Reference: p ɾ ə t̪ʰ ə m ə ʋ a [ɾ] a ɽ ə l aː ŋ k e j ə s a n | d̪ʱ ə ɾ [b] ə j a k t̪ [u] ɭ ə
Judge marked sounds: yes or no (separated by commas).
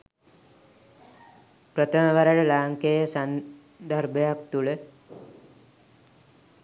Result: yes, yes, yes